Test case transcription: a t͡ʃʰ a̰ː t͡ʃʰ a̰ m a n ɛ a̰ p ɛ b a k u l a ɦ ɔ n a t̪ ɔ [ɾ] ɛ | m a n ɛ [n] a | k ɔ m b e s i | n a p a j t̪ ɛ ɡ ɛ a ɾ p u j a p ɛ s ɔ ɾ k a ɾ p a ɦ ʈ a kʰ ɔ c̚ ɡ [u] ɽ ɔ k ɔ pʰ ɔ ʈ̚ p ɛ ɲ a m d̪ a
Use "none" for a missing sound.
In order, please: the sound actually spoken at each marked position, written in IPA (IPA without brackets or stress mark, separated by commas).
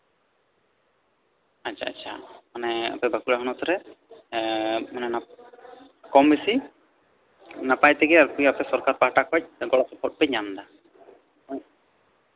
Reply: ɾ, n, ɔ